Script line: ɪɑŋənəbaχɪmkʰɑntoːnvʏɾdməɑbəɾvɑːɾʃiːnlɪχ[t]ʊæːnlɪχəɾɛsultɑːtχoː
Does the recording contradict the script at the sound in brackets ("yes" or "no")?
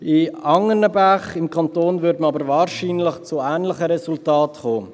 yes